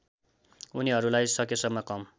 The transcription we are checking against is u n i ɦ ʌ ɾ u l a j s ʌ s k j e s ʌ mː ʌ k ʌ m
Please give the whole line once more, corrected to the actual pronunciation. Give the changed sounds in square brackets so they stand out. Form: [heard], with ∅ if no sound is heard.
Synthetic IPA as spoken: u n i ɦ ʌ ɾ u l a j s ʌ [∅] k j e s ʌ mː ʌ k ʌ m